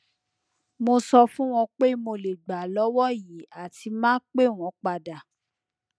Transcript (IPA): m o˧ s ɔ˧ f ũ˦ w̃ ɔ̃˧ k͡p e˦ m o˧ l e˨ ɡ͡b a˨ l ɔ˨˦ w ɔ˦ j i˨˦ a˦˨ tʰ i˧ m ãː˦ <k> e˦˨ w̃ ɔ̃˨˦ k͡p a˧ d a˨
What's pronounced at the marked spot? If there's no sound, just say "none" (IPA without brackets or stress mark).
k͡p